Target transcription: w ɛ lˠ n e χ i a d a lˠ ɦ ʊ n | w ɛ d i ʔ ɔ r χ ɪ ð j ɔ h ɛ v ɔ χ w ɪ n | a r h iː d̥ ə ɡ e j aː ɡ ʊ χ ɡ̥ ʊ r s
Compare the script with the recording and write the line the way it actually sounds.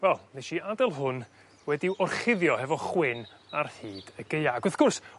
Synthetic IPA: w ɛ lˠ n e ʃ i a d ɛ lˠ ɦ ʊ n | w ɛ d i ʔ ɔ r χ ɪ ð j ɔ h ɛ v ɔ χ w ɪ n | a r h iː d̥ ə ɡ e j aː ɡ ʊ θ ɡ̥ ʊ r s

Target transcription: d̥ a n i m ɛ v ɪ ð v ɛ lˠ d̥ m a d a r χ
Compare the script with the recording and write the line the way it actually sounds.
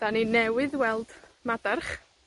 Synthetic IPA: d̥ a n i n ɛ w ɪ ð w ɛ lˠ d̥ m a d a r χ

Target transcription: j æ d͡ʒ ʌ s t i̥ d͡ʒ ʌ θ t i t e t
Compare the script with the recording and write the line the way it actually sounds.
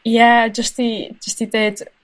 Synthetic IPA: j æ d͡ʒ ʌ s t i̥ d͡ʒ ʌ s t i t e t

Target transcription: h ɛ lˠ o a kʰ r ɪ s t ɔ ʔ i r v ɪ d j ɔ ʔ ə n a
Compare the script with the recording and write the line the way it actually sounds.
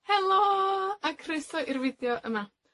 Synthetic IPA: h ɛ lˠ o a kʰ r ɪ s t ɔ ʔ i r v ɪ d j ɔ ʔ ə m a

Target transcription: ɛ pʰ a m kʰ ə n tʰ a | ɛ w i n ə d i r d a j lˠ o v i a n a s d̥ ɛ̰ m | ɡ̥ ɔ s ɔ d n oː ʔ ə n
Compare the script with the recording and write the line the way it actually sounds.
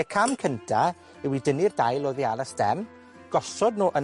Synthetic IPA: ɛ kʰ a m kʰ ə n tʰ a | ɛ w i d ə n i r d a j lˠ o ð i a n a s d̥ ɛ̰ m | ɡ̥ ɔ s ɔ d n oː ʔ ə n

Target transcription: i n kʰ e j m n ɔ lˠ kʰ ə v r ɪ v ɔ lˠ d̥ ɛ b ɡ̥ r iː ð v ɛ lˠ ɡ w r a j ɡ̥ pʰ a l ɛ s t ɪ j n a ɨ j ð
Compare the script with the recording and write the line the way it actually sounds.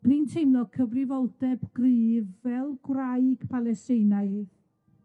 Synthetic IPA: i n tʰ e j m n ɔ kʰ ə v r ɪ v ɔ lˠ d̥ ɛ b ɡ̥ r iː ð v ɛ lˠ ɡ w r a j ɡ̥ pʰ a l ɛ s t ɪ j n a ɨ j ð

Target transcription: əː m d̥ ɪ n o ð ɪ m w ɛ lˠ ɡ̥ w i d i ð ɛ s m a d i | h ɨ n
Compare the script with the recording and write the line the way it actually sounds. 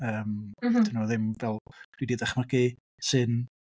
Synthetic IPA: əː m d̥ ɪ n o ð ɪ m v ɛ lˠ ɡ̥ w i d i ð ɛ χ m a ɡ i | s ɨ n

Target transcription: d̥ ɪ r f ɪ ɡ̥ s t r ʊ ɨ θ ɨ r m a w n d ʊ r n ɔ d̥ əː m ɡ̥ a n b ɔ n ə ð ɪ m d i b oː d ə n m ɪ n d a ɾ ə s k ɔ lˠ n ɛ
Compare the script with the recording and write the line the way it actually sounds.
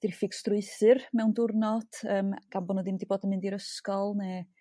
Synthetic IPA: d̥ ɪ r f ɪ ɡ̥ s t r ʊ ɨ θ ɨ r m ɛ w n d ʊ r n ɔ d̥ əː m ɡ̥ a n b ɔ n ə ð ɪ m d i b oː d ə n m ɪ n d i ɾ ə s k ɔ lˠ n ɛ

